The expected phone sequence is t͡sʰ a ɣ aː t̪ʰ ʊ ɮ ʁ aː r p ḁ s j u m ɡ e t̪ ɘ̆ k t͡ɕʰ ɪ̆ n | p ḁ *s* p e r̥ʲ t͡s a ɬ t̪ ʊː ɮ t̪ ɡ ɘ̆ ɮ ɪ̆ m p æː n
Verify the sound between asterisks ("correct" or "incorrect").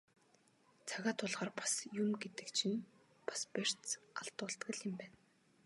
correct